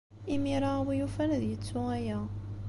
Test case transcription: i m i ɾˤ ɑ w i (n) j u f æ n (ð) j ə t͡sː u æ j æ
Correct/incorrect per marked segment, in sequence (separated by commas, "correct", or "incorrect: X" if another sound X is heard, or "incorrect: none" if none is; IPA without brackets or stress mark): incorrect: none, correct